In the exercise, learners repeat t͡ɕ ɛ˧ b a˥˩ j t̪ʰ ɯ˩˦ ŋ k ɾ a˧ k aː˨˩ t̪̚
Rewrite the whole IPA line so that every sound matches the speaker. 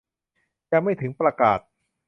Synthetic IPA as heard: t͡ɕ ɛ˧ m a˥˩ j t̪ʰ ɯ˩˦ ŋ p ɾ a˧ k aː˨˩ t̪̚